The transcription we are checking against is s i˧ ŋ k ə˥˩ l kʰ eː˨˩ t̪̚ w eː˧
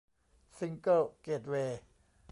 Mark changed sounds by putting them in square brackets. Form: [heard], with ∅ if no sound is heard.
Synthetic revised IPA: s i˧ ŋ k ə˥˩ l [k] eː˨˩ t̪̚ w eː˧